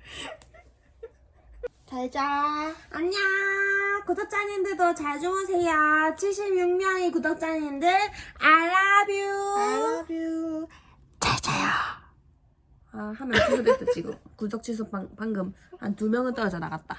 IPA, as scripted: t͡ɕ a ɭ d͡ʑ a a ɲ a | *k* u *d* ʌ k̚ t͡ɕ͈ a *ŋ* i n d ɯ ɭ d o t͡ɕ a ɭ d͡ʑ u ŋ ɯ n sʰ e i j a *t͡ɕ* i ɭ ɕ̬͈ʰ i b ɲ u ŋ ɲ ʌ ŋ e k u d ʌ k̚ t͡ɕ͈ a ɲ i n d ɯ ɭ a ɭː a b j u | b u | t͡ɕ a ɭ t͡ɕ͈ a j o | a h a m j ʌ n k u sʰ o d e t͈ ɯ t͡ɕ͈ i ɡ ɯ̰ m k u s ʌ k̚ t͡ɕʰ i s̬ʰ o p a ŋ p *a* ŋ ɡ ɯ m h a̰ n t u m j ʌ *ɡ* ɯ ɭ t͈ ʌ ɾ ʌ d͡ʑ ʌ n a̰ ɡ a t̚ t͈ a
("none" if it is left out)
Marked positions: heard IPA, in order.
k, d, ɲ, t͡ɕʰ, a, ŋ

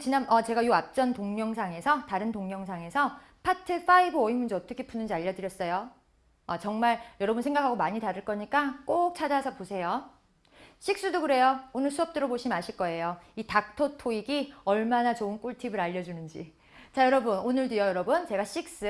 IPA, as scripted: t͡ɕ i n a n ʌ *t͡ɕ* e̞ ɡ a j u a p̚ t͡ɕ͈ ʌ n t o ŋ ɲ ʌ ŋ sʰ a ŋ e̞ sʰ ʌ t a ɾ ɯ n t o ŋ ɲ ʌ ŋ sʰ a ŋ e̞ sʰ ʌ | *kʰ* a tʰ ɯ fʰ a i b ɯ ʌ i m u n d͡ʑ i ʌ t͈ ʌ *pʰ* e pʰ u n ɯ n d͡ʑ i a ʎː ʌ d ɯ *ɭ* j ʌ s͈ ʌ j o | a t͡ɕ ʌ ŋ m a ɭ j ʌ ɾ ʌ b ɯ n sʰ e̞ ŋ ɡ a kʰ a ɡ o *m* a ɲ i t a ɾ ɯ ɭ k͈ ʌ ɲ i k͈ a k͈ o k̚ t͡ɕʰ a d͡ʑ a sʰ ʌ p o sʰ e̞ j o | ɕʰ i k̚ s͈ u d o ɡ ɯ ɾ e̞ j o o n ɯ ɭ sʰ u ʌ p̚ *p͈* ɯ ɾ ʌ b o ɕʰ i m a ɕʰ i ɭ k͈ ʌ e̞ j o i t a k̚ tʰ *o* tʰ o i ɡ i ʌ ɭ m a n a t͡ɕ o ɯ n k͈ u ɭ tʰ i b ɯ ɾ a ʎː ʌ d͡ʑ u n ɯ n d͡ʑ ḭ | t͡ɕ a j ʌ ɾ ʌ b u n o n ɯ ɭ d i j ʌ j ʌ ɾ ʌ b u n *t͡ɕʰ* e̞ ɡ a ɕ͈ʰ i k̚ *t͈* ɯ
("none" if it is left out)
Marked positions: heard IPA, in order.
t͡ɕ, pʰ, kʰ, ɾ, m, t͈, o, t͡ɕ, s͈

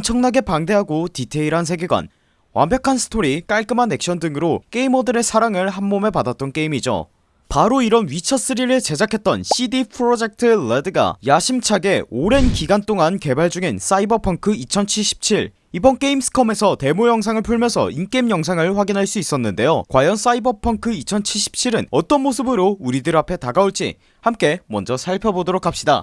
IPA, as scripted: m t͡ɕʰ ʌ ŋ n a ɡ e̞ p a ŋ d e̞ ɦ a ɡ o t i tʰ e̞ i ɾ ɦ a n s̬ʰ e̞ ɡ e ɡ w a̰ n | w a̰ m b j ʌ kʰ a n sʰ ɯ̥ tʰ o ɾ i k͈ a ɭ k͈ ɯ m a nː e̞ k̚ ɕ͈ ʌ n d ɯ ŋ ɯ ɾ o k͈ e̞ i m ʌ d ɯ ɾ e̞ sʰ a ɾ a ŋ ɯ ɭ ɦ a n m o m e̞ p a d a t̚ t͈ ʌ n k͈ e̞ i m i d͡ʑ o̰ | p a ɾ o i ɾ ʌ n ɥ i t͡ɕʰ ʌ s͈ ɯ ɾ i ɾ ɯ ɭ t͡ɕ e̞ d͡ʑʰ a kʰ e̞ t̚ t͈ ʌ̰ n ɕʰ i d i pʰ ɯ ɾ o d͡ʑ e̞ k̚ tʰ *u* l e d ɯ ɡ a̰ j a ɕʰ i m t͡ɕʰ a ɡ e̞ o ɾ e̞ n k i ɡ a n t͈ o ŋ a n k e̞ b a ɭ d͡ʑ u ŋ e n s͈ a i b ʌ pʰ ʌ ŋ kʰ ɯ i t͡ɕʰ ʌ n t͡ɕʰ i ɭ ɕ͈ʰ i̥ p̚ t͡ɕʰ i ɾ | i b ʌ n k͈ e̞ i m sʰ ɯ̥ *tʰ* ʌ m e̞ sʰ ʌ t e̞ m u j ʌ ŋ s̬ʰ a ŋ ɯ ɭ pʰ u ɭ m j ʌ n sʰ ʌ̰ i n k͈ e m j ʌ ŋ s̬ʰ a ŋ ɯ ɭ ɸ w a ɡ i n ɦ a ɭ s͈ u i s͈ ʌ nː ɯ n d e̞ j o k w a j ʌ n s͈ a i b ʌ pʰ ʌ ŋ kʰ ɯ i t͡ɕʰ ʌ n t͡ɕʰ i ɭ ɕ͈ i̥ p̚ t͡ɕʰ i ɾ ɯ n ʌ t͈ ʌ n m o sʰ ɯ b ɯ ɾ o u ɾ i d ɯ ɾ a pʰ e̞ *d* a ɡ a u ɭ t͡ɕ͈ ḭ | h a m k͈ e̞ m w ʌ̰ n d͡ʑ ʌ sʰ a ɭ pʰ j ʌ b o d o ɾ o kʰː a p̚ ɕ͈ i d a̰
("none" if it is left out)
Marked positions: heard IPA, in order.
ɯ, kʰ, t

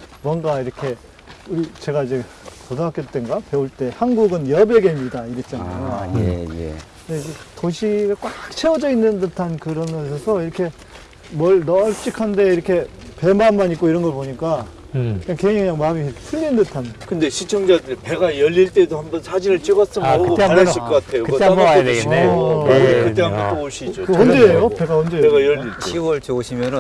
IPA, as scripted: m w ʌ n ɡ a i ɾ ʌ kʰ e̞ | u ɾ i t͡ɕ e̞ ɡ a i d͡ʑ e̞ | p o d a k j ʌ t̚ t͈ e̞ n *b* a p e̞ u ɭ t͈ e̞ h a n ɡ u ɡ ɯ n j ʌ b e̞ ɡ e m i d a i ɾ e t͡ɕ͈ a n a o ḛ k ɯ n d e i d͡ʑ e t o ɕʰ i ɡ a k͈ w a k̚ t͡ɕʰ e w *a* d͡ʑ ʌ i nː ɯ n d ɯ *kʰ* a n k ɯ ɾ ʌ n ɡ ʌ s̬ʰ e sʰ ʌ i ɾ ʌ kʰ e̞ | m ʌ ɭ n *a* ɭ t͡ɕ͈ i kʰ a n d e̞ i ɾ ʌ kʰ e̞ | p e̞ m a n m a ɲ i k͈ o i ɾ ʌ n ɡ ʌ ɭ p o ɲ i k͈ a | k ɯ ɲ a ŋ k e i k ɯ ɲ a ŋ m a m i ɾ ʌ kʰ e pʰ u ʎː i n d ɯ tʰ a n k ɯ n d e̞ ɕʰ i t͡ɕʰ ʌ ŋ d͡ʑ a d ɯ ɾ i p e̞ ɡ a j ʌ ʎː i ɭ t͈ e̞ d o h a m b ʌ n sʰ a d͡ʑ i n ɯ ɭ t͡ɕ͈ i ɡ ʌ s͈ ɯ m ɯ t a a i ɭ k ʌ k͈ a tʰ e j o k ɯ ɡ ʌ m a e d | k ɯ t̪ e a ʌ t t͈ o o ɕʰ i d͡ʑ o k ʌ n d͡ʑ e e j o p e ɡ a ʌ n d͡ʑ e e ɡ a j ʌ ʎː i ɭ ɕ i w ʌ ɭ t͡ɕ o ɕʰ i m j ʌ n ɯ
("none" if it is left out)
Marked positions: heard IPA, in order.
ɡ, ʌ, tʰ, ʌ

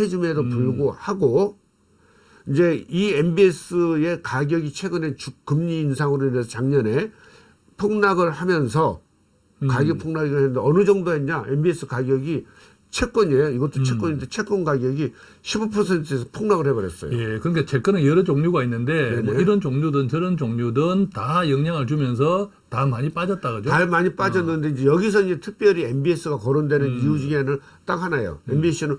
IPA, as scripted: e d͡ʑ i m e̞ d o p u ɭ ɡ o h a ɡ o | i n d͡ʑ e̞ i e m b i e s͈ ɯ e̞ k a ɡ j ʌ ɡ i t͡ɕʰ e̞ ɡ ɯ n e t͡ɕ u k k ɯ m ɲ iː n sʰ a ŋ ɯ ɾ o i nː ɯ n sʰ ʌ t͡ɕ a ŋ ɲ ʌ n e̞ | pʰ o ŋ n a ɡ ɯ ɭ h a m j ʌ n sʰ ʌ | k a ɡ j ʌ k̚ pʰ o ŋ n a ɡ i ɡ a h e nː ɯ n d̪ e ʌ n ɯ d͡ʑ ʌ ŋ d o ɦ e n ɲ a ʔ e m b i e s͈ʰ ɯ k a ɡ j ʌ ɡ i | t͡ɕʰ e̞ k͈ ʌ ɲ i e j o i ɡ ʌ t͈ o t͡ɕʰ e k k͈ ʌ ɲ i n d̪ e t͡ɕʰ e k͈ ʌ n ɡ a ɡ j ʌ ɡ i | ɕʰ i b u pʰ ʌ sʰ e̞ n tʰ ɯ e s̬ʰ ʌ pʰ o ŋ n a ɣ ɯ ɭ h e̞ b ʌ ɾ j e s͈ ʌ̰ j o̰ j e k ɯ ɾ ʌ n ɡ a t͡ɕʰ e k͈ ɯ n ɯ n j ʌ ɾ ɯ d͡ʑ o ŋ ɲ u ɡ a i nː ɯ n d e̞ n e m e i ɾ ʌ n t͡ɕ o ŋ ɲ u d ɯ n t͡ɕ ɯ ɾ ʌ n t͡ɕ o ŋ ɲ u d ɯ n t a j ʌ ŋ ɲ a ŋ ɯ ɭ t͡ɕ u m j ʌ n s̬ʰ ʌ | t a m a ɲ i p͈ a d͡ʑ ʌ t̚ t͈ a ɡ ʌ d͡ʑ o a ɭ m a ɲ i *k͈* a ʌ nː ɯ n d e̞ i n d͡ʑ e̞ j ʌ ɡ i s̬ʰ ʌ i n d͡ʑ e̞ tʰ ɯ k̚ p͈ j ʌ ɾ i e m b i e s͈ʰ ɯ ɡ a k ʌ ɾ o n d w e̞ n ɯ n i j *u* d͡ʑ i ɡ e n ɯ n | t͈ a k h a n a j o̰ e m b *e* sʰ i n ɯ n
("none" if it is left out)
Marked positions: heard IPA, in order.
p͈, u, i

